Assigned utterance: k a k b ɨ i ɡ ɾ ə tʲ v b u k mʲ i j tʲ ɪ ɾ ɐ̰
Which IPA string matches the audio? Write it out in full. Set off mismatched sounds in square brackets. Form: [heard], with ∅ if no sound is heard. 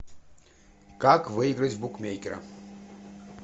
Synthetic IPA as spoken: k a k [v] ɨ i ɡ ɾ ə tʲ v b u k mʲ [e] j [kʲ] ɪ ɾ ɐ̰